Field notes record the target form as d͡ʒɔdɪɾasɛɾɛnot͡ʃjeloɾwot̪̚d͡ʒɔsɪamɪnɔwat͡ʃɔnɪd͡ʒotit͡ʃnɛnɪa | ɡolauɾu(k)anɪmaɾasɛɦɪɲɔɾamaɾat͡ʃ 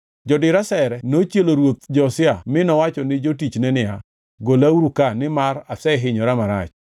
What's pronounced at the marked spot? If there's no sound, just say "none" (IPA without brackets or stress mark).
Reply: k